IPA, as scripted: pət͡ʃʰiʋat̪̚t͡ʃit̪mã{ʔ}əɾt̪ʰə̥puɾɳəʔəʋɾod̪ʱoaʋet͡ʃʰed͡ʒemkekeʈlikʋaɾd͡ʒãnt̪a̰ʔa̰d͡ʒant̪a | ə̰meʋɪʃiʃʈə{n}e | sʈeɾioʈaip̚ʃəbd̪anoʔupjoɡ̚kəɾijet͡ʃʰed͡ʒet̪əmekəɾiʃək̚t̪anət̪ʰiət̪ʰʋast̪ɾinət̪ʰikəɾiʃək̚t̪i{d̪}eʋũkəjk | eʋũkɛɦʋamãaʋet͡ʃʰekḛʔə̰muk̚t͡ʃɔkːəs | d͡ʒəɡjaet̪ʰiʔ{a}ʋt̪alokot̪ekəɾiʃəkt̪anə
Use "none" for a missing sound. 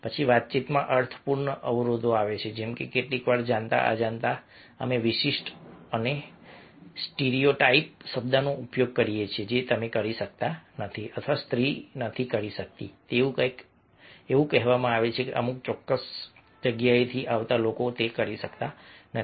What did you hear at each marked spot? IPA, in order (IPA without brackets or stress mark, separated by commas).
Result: ʔ, n, t̪, a